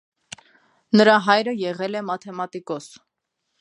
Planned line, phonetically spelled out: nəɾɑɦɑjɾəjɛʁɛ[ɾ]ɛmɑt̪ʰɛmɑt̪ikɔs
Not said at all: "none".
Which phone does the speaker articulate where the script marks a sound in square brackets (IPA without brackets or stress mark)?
l